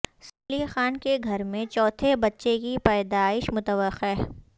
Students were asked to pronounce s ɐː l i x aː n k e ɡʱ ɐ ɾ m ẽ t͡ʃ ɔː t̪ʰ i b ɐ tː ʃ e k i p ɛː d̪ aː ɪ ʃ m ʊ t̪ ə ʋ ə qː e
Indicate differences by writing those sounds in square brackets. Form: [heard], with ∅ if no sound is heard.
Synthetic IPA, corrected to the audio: s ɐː l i x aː n k e ɡʱ ɐ ɾ m ẽ t͡ʃ ɔː t̪ʰ [e] b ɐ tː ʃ e k i p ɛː d̪ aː ɪ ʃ m ʊ t̪ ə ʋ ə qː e